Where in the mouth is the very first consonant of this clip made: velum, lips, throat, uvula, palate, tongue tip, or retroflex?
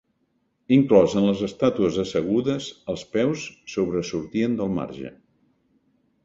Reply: velum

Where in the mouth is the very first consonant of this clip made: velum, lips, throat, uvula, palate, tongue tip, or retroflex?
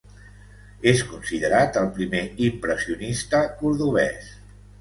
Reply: tongue tip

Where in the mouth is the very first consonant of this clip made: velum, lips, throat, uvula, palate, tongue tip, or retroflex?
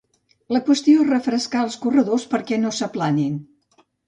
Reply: tongue tip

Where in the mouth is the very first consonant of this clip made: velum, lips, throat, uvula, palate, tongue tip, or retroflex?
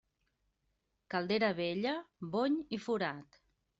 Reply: velum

